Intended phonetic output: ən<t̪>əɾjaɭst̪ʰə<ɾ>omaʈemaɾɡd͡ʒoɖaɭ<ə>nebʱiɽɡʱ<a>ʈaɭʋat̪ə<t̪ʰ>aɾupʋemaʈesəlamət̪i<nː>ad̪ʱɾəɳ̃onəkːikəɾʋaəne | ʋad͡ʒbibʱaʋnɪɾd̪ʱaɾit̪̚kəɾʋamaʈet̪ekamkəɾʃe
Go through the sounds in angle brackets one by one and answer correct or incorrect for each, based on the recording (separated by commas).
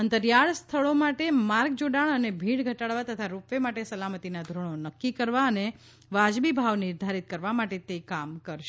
correct, incorrect, correct, incorrect, correct, incorrect